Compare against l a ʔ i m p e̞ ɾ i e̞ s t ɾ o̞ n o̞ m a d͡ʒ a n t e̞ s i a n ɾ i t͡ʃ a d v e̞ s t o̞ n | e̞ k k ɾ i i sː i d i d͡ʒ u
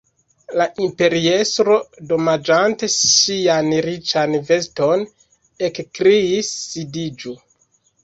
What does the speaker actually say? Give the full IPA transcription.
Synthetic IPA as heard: l a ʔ i m p e̞ ɾ i e̞ s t ɾ o̞ d o̞ m a d͡ʒ a n t e̞ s i a n ɾ i t͡ʃ a n v e̞ s t o̞ n | e̞ k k ɾ i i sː i d i d͡ʒ u

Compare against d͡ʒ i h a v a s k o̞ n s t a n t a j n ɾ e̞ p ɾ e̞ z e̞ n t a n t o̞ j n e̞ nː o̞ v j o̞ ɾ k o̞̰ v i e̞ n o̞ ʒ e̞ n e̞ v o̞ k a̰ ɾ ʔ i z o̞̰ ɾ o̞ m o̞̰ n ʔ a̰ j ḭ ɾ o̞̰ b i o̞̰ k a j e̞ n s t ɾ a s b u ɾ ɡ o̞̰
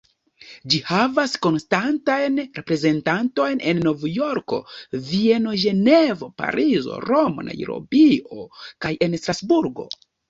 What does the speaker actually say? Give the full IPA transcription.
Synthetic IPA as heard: d͡ʒ i h a v a s k o̞ n s t a n t a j n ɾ e̞ p ɾ e̞ z e̞ n t a n t o̞ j n e̞ nː o̞ v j o̞ ɾ k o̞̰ v i e̞ n o̞ ʒ e̞ n e̞ v o̞ p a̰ ɾ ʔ i z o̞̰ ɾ o̞ m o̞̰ n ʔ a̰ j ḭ ɾ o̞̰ b i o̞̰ k a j e̞ n s t ɾ a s b u ɾ ɡ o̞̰

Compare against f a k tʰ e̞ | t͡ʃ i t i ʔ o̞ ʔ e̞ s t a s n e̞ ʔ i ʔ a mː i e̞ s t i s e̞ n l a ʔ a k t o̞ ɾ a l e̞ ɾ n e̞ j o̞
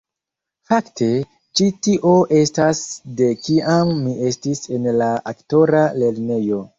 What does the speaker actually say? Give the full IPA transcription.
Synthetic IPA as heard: f a k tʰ e̞ | t͡ʃ i t i ʔ o̞ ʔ e̞ s t a s d e̞ k i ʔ a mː i e̞ s t i s e̞ n l a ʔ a k t o̞ ɾ a l e̞ ɾ n e̞ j o̞

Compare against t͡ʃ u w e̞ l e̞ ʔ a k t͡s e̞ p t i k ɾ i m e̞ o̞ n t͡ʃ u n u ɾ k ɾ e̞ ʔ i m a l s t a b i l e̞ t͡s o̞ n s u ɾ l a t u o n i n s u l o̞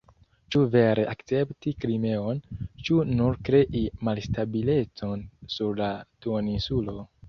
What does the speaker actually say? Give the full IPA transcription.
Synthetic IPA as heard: t͡ʃ u v e̞ ɾ e̞ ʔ a k t͡s e̞ p t i k ɾ i m e̞ o̞ n t͡ʃ u n u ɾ k ɾ e̞ ʔ i m a l s t a b i l e̞ t͡s o̞ n s u ɾ l a t u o n i n s u l o̞

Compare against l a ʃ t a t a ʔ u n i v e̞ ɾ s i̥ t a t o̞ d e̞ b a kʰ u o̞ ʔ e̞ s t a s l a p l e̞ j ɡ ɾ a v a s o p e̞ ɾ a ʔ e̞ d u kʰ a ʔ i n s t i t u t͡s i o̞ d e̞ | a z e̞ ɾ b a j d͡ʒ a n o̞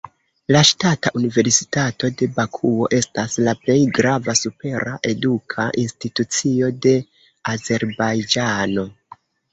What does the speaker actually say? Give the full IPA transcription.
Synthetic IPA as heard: l a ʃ t a t a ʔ u n i v e̞ ɾ s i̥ t a t o̞ d e̞ b a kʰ u o̞ ʔ e̞ s t a s l a p l e̞ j ɡ ɾ a v a s u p e̞ ɾ a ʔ e̞ d u kʰ a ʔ i n s t i t u t͡s i o̞ d e̞ | a z e̞ ɾ b a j d͡ʒ a n o̞

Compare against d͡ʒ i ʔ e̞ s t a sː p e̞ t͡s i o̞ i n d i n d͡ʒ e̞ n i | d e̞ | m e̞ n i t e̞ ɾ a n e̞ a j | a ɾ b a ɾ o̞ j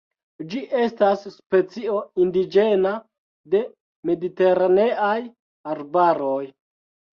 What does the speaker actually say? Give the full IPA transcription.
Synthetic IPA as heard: d͡ʒ i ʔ e̞ s t a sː p e̞ t͡s i o̞ i n d i d͡ʒ e̞ n a | d e̞ | m e̞ d i t e̞ ɾ a n e̞ a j | a ɾ b a ɾ o̞ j

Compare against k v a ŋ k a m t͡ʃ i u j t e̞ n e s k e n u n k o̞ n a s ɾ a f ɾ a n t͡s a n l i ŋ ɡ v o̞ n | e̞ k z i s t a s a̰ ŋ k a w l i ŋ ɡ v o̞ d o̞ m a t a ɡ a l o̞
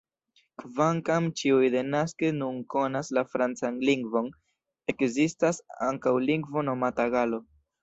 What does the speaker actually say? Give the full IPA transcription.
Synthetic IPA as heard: k v a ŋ k a m t͡ʃ i u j d e̞ n a s k e n u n k o̞ n a s l a f ɾ a n t͡s a n l i ŋ ɡ v o̞ n | e̞ k z i s t a s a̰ ŋ k a w l i ŋ ɡ v o̞ n o̞ m a t a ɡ a l o̞

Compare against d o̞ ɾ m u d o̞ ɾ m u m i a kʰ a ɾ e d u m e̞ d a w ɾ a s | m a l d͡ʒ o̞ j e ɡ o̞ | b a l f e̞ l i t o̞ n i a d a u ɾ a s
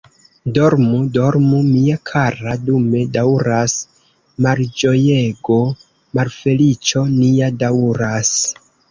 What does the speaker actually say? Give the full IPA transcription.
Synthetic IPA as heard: d o̞ ɾ m u d o̞ ɾ m u m i a kʰ a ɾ a d u m e̞ d a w ɾ a s | m a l d͡ʒ o̞ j e ɡ o̞ | m a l f e̞ l i t͡ʃ o̞ n i a d a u ɾ a s

